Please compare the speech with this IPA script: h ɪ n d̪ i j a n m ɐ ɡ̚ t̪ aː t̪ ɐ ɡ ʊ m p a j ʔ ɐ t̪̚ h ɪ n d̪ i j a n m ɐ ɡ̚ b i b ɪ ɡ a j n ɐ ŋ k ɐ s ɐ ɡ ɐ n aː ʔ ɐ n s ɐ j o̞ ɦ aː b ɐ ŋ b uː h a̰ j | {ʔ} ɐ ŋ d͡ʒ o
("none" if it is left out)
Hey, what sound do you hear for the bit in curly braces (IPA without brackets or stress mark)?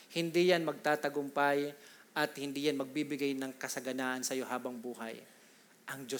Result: ʔ